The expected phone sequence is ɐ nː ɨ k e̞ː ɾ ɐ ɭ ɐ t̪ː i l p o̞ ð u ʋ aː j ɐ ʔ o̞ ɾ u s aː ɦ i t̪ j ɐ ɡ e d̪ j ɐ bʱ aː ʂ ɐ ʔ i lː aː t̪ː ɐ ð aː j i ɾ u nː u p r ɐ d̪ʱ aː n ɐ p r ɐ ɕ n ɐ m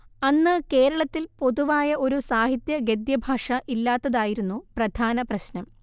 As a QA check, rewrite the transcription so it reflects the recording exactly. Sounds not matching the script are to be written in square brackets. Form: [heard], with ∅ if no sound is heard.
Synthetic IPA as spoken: ɐ nː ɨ k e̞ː ɾ ɐ ɭ ɐ t̪ː i l p o̞ ð u ʋ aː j ɐ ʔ o̞ ɾ u s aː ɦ i t̪ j ɐ ɡ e d̪ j ɐ bʱ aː ʂ ɐ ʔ i lː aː t̪ː ɐ ð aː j i ɾ u nː u p r ɐ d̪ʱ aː n ɐ p r ɐ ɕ n ɐ m